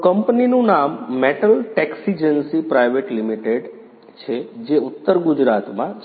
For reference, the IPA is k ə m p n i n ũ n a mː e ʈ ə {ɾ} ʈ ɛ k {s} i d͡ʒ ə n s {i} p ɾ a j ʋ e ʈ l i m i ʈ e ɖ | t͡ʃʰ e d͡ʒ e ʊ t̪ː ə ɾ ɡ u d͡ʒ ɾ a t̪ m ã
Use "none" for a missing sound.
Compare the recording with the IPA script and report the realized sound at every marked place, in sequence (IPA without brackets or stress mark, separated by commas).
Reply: l, s, i